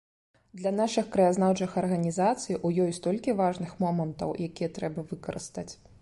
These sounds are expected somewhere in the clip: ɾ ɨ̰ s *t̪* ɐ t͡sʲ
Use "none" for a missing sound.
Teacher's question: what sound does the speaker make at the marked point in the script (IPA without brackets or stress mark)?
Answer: t̪